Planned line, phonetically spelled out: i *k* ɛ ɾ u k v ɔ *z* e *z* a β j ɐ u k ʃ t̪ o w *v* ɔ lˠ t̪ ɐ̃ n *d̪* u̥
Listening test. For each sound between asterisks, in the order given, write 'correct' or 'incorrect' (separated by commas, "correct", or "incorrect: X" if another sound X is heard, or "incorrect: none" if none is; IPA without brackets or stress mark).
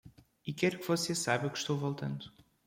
correct, incorrect: s, incorrect: s, correct, correct